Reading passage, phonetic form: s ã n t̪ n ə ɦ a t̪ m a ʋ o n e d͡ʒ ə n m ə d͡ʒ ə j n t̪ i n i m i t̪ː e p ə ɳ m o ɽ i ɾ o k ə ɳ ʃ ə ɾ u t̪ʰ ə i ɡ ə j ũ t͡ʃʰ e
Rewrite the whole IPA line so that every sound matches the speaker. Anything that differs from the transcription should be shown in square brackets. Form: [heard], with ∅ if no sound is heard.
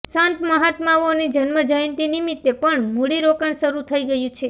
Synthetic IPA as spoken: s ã n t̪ [m] ə ɦ a t̪ m a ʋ o n [i] d͡ʒ ə n m ə d͡ʒ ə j n t̪ i n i m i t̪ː e p ə ɳ m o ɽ i ɾ o k ə ɳ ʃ ə ɾ u t̪ʰ ə i ɡ ə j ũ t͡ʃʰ e